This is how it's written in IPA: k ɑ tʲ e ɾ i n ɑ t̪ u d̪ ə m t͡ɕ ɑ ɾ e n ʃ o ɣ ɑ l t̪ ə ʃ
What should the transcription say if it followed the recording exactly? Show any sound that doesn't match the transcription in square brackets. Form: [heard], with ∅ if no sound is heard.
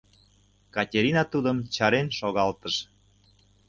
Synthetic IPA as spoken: k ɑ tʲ e ɾ i n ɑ t̪ u d̪ ə m t͡ɕ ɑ ɾ e n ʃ o ɣ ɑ l t̪ ə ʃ

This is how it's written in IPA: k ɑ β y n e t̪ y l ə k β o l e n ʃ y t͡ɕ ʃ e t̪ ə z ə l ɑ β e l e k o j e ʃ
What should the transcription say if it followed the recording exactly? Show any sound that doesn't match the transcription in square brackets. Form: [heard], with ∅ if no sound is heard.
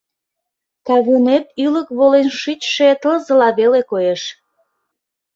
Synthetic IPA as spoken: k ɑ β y n e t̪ y l ə k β o l e n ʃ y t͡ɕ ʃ e t̪ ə z ə l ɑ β e l e k o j e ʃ

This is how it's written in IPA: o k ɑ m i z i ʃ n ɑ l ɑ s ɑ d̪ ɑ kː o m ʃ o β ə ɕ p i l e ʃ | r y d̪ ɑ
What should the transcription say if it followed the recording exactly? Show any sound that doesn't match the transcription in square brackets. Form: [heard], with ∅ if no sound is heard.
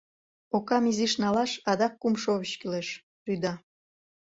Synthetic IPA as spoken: o k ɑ m i z i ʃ n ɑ l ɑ [ʃ] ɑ d̪ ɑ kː [u] m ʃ o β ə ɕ [k] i l e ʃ | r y d̪ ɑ

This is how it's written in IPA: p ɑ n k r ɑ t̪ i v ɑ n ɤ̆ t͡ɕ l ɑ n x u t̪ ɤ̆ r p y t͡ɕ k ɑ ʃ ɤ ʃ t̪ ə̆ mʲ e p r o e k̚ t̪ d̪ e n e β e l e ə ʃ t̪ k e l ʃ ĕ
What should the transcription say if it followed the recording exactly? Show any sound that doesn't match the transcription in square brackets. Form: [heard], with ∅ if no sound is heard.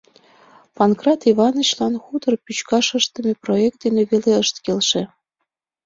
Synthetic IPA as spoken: p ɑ n k r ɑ t̪ i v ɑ n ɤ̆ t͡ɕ l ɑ n x u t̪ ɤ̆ r p y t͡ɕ k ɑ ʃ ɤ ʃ t̪ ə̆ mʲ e p r o e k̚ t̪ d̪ e n e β e l e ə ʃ t̪ k e l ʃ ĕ

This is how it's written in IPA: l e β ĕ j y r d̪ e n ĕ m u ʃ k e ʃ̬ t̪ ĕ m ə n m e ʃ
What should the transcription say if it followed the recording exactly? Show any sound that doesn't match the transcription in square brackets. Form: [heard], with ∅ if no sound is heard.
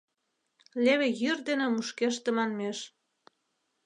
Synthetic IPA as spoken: l e β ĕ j y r d̪ e n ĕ m u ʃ k e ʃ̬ t̪ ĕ m [ɑ] n m e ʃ

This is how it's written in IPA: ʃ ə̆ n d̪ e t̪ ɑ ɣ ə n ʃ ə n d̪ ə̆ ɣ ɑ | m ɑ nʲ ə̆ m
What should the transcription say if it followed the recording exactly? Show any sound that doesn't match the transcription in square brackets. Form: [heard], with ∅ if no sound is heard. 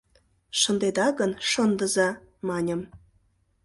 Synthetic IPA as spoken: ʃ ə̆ n d̪ e [d̪] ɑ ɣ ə n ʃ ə n d̪ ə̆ [z] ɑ | m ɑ nʲ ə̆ m

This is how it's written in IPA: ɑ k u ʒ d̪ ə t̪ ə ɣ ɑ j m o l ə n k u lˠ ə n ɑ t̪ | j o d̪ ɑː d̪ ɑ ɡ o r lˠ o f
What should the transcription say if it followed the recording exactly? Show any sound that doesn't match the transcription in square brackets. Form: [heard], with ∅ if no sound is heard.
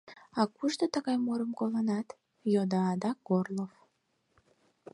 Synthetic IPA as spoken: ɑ k u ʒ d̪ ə t̪ ə ɣ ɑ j m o [ɾ] ə [m] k [o] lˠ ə n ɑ t̪ | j o d̪ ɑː d̪ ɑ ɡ o r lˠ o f

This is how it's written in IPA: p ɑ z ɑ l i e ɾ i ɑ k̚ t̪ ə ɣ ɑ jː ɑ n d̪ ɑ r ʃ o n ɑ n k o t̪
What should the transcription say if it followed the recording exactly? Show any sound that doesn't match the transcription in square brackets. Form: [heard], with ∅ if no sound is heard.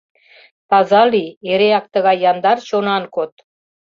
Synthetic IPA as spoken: p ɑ z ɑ l i e ɾ [e] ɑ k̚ t̪ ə ɣ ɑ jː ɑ n d̪ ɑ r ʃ o n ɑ n k o t̪

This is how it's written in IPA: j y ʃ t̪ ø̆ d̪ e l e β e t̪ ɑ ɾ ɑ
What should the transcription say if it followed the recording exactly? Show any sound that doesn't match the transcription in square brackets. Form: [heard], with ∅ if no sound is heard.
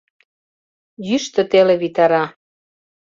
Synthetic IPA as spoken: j y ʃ t̪ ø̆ [t̪] e l e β [i] t̪ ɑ ɾ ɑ

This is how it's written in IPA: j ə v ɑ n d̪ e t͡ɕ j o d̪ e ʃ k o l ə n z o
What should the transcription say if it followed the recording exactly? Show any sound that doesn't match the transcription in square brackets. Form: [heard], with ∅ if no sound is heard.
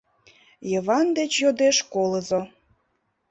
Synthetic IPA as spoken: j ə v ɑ n d̪ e t͡ɕ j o d̪ e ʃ k o l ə [∅] z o

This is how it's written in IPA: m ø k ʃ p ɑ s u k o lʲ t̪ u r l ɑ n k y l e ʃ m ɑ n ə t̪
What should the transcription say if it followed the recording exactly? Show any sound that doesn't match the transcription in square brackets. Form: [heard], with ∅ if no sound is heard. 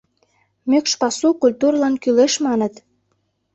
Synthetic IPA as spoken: m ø k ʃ p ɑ s u k [u] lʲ t̪ u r l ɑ n k y l e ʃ m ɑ n ə t̪

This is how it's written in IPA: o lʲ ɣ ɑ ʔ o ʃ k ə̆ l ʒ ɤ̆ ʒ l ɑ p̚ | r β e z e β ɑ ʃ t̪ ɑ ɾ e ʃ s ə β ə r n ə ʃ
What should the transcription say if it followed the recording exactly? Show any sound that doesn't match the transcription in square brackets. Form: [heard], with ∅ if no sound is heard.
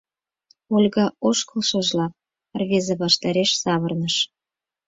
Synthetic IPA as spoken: o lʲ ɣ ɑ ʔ o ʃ k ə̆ l [ʃ] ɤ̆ ʒ l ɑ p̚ | r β e z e β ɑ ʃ t̪ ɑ ɾ e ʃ s [ɑ] β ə r n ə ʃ

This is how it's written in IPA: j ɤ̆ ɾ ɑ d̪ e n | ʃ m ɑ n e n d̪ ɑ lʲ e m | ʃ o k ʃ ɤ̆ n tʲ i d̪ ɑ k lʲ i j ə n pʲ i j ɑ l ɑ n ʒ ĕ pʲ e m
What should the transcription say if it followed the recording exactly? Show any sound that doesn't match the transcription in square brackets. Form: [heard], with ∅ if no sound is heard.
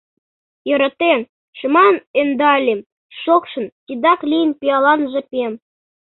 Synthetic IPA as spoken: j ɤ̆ ɾ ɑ [t̪] e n | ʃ m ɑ n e n d̪ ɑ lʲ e m | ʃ o k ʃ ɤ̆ n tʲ i d̪ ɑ k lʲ i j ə n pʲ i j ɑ l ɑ n ʒ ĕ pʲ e m

